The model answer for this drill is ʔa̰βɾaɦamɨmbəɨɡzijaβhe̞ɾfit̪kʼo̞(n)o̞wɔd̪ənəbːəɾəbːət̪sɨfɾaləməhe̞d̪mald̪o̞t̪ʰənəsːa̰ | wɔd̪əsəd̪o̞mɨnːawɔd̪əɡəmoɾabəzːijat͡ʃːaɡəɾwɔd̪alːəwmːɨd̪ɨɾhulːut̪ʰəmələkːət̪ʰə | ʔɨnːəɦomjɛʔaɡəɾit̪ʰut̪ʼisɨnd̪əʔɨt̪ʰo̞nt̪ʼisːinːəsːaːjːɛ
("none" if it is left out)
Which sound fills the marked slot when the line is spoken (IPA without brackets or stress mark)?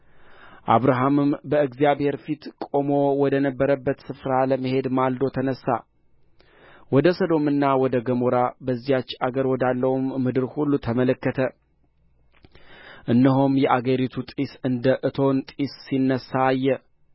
m